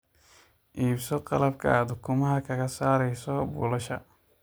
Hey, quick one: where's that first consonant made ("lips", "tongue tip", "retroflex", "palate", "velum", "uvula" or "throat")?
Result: throat